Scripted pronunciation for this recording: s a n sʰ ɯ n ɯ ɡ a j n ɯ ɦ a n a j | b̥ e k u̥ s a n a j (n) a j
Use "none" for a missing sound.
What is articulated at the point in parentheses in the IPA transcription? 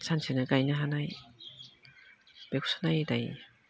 d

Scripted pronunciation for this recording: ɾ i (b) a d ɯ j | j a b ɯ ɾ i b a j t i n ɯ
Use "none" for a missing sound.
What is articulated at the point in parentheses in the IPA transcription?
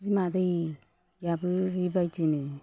m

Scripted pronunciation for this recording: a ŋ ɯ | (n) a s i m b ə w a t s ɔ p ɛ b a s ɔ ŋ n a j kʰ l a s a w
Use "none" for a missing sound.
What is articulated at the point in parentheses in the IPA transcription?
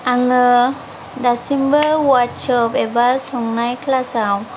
d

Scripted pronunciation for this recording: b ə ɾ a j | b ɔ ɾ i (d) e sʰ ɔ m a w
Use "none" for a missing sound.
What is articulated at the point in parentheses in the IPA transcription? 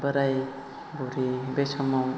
b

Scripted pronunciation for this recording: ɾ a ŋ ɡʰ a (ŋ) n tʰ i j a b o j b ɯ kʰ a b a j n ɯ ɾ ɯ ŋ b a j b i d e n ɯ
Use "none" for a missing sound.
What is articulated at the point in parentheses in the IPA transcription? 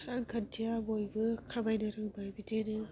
none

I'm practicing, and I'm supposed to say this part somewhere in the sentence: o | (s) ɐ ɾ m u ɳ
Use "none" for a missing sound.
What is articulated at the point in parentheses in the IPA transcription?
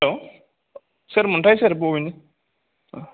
s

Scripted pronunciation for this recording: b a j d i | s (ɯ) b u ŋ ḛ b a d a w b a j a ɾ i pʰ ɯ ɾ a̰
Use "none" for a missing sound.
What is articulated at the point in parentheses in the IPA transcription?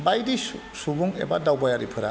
u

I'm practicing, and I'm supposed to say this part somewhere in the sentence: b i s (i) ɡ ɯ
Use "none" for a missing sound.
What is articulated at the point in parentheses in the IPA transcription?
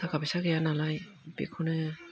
a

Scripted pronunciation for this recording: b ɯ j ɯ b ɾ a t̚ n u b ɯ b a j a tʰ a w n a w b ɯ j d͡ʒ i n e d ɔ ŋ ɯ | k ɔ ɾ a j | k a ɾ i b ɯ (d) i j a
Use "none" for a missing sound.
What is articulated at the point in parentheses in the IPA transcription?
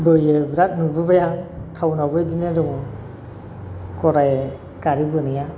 n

